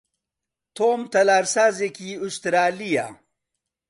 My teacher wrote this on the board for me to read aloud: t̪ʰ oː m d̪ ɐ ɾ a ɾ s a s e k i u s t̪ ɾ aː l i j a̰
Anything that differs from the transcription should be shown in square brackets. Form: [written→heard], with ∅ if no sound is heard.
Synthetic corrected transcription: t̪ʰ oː m [d̪→t̪] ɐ [ɾ→l] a ɾ s a [s→z] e k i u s t̪ ɾ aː l i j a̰